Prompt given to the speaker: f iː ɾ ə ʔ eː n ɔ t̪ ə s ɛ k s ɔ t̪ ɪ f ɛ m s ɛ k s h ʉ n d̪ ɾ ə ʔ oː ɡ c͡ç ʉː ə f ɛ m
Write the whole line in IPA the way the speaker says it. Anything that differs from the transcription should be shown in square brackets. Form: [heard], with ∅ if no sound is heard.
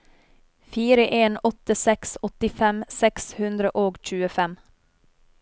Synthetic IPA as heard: f iː ɾ ə ʔ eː n ɔ t̪ ə s ɛ k s ɔ t̪ ɪ f ɛ m s ɛ k s h ʉ n d̪ ɾ ə ʔ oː ɡ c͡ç ʉː ə f ɛ m